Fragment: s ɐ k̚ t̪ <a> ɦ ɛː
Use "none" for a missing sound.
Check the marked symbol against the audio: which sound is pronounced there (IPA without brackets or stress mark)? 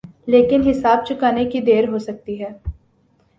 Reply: i